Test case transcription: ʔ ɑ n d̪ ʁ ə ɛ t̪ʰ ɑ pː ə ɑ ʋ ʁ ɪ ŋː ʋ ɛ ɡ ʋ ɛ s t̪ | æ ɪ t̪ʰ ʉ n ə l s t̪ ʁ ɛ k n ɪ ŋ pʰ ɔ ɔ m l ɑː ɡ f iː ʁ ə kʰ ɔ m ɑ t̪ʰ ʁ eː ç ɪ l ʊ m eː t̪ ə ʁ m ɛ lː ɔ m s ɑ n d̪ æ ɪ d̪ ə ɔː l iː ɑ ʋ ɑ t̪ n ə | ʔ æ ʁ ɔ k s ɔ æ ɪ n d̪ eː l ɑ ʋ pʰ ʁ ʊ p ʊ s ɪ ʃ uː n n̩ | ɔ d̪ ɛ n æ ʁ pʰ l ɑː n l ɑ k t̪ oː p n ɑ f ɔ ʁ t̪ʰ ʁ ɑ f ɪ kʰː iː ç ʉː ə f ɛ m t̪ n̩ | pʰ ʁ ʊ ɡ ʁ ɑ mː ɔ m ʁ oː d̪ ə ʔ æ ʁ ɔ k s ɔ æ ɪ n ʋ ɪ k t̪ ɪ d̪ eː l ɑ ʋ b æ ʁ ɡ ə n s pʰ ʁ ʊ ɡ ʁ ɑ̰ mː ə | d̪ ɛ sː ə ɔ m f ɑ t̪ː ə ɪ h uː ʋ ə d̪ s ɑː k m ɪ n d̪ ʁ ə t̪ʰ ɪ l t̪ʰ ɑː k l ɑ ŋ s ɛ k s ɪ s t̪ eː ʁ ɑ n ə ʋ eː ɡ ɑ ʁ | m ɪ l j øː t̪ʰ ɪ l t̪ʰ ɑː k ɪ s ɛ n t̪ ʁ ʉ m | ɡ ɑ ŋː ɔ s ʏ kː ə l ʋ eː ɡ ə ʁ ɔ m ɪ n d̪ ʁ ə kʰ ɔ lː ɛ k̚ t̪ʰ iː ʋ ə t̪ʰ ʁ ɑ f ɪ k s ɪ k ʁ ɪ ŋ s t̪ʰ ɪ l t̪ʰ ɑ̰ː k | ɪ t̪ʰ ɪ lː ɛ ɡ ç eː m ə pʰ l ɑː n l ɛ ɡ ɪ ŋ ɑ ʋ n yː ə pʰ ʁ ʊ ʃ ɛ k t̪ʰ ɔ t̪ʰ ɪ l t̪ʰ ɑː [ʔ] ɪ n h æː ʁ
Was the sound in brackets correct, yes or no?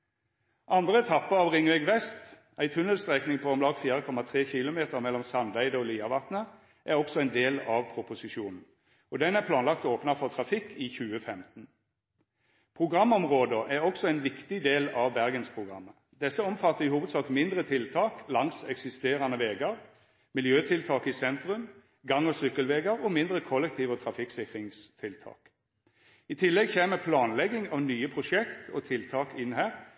no